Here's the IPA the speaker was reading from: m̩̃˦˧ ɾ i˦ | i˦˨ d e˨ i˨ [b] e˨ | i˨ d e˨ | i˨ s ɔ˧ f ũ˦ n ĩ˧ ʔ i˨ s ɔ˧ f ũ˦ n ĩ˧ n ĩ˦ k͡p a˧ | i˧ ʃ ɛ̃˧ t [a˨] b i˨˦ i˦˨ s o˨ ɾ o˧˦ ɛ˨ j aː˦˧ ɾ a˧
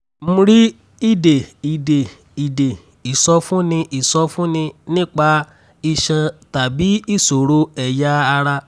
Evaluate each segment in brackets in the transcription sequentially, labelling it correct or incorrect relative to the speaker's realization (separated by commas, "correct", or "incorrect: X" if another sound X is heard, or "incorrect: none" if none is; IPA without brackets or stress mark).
incorrect: d, correct